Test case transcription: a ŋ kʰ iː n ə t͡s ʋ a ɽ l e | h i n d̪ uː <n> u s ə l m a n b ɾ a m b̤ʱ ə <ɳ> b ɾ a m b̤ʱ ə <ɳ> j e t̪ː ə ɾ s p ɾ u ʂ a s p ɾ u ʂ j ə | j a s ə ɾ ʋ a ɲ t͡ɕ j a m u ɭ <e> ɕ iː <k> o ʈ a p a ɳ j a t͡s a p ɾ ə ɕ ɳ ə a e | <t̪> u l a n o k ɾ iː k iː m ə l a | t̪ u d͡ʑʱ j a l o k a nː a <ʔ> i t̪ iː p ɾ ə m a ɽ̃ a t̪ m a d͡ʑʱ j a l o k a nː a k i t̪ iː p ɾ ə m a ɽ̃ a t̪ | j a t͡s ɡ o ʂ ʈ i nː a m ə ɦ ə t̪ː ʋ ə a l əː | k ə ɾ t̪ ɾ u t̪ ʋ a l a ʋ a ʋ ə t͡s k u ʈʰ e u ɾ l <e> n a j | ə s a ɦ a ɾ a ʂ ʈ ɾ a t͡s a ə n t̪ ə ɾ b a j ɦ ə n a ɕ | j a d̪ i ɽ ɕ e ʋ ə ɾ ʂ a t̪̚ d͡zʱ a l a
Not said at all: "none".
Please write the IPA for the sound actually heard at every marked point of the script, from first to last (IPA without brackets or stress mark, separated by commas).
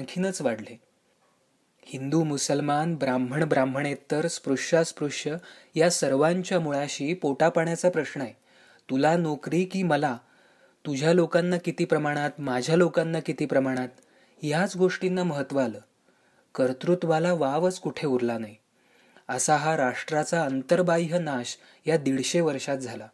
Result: m, ɳ, ɳ, a, p, t̪, k, a